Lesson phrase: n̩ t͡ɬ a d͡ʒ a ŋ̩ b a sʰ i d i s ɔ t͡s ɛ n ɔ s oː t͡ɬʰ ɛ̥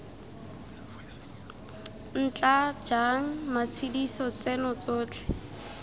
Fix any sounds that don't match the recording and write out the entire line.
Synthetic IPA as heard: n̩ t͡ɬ a d͡ʒ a ŋ̩ m a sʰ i d i s ɔ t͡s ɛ n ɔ t͡s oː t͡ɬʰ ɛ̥